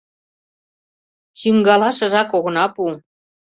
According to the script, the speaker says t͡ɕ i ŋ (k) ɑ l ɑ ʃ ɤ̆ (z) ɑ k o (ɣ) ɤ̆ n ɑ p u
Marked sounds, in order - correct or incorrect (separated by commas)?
incorrect, incorrect, correct